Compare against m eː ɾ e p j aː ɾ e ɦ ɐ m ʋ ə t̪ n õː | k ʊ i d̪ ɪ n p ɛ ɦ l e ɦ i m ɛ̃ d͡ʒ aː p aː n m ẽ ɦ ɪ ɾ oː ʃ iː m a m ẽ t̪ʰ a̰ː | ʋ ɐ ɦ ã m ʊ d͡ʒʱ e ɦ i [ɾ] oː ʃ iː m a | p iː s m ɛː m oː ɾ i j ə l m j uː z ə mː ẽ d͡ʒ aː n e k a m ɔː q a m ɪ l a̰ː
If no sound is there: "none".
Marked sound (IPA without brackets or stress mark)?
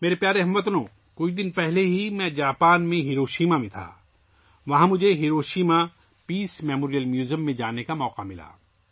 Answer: ɾ